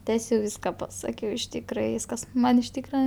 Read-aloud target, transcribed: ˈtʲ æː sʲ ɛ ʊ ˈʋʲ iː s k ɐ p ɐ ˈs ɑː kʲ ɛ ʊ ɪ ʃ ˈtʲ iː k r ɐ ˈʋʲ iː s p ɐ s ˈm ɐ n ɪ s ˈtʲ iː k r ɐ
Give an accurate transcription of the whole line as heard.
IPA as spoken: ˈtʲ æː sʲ ɛ ʊ ˈʋʲ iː s k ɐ p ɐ ˈs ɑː kʲ ɛ ʊ ɪ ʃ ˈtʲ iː k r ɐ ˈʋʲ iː s k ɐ s ˈm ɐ n ɪ ʃ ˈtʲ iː k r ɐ

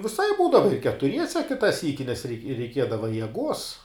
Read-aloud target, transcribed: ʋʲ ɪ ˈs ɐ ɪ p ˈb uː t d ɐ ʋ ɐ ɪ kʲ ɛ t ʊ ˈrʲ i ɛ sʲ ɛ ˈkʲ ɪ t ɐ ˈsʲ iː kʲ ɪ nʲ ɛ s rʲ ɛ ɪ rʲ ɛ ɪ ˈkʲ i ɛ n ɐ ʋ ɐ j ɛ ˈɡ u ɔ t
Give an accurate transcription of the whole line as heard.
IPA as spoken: ʋʲ ɪ ˈs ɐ ɪ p ˈb uː d ɐ ʋ ɐ ɪ kʲ ɛ t ʊ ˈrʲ i ɛ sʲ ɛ ˈkʲ ɪ t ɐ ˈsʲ iː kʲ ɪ nʲ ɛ s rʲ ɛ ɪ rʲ ɛ ɪ ˈkʲ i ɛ d ɐ ʋ ɐ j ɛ ˈɡ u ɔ s

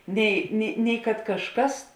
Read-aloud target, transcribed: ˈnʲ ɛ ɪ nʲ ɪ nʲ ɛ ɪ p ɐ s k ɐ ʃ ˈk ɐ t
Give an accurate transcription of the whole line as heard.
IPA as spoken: ˈnʲ ɛ ɪ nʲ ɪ nʲ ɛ ɪ k ɐ t k ɐ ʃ ˈk ɐ s

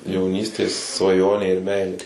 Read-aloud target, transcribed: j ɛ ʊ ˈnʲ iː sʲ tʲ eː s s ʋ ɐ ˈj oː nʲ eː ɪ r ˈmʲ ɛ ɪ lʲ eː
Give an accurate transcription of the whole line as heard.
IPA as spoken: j ɛ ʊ ˈnʲ iː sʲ tʲ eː s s ʋ ɐ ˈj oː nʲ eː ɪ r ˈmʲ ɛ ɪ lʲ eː

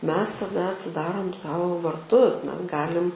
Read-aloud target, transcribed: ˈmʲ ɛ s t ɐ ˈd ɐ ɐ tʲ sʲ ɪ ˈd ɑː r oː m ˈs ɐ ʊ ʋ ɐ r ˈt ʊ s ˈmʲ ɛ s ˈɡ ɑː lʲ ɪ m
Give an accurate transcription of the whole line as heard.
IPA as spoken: ˈmʲ ɛ s t ɐ ˈd ɐ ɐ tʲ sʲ ɪ ˈd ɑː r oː m ˈs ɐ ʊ ʋ ɐ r ˈt ʊ s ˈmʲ ɛ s ˈɡ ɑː lʲ ɪ m

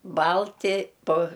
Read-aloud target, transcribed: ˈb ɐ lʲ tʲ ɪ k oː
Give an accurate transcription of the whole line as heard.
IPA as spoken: ˈb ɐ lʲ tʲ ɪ p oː

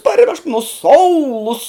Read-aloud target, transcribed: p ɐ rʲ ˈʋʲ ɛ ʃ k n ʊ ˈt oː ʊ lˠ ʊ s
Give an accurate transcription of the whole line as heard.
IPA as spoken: p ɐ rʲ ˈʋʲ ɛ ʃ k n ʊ ˈs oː ʊ lˠ ʊ s

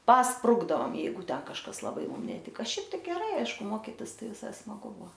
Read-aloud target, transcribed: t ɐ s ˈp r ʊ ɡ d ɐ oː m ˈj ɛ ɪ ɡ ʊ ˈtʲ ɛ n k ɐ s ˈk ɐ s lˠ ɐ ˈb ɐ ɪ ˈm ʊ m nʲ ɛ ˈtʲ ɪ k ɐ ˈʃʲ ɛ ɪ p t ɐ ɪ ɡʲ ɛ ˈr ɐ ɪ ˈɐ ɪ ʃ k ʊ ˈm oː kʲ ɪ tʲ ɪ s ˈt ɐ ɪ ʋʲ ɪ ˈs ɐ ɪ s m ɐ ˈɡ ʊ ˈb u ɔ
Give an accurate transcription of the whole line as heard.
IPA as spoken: p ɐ s ˈp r ʊ ɡ d ɐ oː m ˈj ɛ ɪ ɡ ʊ ˈtʲ ɛ n k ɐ ʃ ˈk ɐ s lˠ ɐ ˈb ɐ ɪ ˈm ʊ m nʲ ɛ ˈtʲ ɪ k ɐ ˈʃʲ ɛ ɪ p t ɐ ɪ ɡʲ ɛ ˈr ɐ ɪ ˈɐ ɪ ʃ k ʊ ˈm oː kʲ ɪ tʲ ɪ s ˈt ɐ ɪ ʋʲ ɪ ˈs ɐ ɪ s m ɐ ˈɡ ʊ ˈb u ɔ

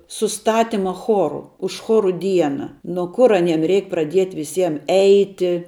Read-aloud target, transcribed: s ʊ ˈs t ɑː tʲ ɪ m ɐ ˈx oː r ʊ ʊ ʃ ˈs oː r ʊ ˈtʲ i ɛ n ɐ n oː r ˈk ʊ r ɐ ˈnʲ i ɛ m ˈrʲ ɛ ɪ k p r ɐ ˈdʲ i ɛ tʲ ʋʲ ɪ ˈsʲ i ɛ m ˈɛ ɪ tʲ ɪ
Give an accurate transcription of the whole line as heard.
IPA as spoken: s ʊ ˈs t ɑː tʲ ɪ m ɐ ˈx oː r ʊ ʊ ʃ ˈx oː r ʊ ˈdʲ i ɛ n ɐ n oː ˈk ʊ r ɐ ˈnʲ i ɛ m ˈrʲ ɛ ɪ k p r ɐ ˈdʲ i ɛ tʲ ʋʲ ɪ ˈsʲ i ɛ m ˈɛ ɪ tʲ ɪ

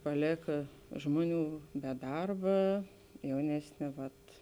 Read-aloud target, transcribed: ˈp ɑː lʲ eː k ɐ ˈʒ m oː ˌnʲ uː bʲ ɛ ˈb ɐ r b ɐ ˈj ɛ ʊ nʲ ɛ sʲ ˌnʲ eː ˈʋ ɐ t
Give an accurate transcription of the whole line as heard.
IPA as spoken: ˈp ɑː lʲ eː k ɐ ˈʒ m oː ˌnʲ uː bʲ ɛ ˈd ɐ r b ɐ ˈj ɛ ʊ nʲ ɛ sʲ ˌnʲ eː ˈʋ ɐ t

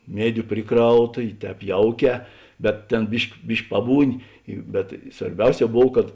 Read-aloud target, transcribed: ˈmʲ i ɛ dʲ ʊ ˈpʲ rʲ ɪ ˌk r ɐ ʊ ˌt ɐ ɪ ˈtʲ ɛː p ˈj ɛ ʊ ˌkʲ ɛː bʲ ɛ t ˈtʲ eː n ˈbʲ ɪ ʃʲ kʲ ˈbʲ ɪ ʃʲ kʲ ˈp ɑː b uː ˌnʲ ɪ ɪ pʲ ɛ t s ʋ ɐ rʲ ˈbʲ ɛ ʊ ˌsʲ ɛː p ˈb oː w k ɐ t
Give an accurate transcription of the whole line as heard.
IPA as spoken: ˈmʲ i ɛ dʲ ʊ ˈpʲ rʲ ɪ ˌk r ɐ ʊ ˌt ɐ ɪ ˈtʲ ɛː p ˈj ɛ ʊ ˌkʲ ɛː bʲ ɛ t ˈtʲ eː n ˈbʲ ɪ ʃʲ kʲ ˈbʲ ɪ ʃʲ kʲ ˈp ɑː b uː ˌnʲ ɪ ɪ bʲ ɛ t s ʋ ɐ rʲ ˈbʲ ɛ ʊ ˌsʲ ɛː ˈb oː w k ɐ t

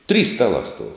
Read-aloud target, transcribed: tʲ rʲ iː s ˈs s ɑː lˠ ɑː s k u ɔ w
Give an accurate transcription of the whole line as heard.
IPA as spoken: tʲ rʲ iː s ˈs t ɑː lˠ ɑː s t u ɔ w

